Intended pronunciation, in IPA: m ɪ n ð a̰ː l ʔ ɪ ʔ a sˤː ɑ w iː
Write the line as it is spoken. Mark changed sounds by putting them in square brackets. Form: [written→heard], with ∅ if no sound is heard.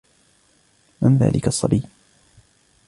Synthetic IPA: m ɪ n ð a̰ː l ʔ ɪ [ʔ→k] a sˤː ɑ [w→b] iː

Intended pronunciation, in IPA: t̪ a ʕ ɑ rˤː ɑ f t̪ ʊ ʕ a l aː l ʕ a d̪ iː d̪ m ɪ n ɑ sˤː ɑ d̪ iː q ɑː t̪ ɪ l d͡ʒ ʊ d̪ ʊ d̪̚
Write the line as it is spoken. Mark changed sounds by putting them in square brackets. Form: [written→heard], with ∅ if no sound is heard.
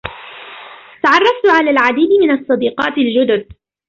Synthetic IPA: t̪ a ʕ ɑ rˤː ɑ f t̪ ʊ ʕ a l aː l ʕ a d̪ iː d̪ m ɪ n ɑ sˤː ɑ d̪ iː q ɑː t̪ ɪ l d͡ʒ ʊ d̪ ʊ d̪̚

